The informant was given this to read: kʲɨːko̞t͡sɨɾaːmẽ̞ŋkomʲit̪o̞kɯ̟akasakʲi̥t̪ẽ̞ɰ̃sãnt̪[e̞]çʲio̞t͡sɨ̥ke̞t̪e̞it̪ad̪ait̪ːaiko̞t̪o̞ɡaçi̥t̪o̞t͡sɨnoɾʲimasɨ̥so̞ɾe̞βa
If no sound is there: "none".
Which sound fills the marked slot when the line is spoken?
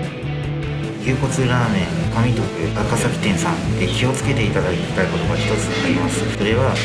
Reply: e̞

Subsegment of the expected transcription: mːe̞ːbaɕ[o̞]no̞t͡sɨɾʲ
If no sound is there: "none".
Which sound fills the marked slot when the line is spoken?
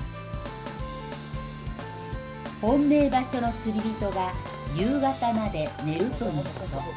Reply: o̞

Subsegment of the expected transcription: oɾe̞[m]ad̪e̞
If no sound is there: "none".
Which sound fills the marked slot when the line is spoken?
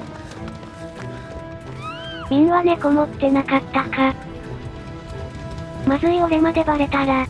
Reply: m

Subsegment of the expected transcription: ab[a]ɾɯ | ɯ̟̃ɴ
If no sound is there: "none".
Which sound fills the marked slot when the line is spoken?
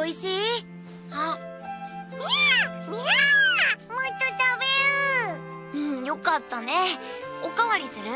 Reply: e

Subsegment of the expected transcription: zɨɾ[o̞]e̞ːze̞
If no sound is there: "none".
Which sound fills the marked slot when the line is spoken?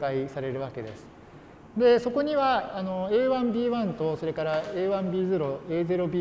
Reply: o̞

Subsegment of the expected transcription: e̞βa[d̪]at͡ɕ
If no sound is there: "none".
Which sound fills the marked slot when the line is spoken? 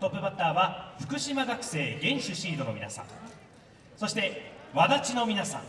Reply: d̪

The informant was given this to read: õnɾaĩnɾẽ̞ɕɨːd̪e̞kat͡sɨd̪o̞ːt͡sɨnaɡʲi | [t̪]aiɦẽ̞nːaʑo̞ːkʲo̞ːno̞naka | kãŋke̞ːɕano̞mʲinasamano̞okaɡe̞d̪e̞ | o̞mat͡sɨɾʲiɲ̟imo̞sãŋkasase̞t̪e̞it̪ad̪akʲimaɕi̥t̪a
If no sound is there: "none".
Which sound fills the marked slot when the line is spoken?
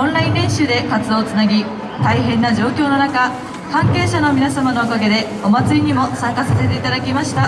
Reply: t̪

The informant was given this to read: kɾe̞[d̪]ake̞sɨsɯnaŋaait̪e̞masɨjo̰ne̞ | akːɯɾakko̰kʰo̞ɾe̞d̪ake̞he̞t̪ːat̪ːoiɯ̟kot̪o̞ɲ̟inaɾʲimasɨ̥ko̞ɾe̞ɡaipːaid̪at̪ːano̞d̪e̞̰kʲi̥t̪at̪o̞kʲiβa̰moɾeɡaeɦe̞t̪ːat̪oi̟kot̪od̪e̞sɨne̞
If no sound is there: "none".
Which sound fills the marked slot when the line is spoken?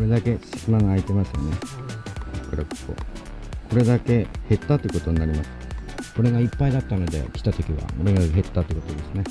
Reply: d̪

